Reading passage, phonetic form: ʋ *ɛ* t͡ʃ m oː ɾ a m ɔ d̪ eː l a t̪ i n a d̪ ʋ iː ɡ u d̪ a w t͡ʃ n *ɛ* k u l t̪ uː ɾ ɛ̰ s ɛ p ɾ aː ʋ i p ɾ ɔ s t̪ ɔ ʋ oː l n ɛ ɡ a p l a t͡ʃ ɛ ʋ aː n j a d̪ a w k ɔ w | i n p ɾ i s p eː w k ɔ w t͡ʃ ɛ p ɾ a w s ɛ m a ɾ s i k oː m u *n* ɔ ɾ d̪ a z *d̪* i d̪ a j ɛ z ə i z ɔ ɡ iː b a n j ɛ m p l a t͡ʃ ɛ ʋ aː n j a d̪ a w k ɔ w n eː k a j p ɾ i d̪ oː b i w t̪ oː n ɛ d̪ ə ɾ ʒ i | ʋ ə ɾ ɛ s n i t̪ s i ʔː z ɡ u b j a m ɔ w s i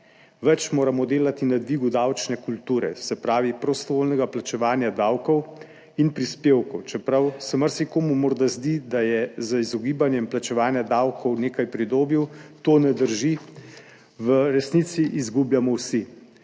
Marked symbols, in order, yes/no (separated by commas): yes, yes, no, yes